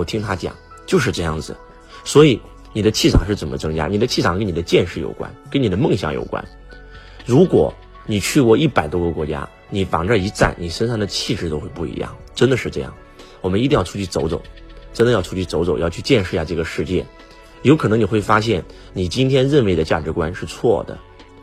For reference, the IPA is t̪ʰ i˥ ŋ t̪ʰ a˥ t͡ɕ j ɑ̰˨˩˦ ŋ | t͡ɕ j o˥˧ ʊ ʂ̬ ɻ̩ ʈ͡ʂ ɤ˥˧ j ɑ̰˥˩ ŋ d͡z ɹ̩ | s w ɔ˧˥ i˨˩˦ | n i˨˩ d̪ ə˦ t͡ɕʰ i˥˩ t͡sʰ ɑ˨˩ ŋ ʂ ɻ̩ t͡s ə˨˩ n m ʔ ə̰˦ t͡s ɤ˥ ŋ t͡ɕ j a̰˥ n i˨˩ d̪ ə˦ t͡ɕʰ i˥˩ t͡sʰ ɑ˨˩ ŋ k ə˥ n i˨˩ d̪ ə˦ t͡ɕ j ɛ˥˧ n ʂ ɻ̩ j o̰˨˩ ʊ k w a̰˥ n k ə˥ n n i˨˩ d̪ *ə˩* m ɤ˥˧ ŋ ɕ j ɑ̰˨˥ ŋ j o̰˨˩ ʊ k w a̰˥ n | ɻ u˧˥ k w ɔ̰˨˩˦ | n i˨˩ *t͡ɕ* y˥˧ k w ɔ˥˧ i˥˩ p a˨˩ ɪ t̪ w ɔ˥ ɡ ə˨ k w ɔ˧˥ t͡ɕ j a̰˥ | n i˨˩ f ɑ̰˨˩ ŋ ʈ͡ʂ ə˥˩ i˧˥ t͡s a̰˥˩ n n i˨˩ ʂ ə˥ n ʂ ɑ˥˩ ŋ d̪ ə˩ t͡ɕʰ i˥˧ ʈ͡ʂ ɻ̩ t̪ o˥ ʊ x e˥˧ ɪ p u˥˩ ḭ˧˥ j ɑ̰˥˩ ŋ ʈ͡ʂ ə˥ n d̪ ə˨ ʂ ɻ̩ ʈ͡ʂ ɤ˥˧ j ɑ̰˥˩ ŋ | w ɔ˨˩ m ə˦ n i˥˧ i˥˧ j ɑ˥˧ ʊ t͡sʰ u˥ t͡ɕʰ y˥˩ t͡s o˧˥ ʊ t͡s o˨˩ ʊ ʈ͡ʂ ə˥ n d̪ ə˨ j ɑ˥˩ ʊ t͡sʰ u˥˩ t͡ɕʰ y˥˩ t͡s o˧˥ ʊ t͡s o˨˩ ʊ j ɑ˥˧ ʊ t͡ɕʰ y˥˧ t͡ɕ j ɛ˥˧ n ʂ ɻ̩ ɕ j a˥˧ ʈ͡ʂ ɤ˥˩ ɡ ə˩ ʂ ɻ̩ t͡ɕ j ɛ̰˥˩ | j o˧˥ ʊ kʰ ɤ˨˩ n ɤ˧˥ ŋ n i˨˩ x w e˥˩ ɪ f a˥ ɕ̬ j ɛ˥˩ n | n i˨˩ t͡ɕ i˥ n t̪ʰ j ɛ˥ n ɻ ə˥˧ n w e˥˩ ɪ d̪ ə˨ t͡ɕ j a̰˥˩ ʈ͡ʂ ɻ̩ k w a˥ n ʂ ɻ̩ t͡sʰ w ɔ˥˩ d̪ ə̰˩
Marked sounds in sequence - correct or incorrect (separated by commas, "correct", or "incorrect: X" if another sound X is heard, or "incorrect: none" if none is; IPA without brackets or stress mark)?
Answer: incorrect: ə˦, incorrect: t͡ɕʰ